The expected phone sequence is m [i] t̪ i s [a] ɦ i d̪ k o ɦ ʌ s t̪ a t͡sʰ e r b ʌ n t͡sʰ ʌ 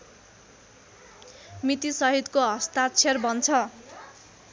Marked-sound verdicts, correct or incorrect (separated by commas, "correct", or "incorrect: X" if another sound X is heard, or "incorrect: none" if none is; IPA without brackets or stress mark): correct, incorrect: ʌ